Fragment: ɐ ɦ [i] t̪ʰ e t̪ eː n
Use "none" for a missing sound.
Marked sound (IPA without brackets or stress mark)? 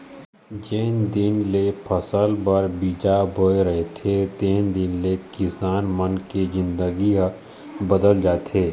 e